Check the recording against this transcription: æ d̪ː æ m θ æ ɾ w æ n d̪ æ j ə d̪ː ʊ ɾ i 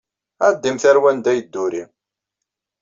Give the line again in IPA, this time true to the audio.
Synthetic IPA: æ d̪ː i m θ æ ɾ w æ n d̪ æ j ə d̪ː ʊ ɾ i